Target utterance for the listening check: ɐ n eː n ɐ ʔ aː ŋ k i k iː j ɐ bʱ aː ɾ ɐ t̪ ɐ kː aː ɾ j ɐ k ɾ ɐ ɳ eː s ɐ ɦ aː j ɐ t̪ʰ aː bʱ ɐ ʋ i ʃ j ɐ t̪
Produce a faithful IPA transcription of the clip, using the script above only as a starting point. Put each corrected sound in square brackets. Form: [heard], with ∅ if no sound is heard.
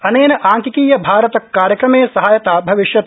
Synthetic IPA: ɐ n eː n ɐ ʔ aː ŋ k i k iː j ɐ bʱ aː ɾ ɐ t̪ ɐ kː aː ɾ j ɐ k ɾ ɐ [m] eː s ɐ ɦ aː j ɐ [t̪] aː bʱ ɐ ʋ i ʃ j ɐ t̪